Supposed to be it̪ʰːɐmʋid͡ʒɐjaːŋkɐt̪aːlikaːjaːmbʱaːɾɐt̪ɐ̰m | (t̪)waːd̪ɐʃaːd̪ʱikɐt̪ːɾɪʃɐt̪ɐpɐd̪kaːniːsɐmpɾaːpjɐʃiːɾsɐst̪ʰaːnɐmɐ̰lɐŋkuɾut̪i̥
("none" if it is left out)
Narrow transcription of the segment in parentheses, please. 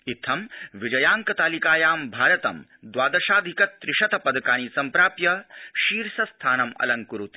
d̪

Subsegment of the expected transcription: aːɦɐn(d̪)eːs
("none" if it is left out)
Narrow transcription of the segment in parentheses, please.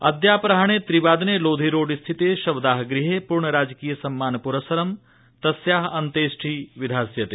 t̪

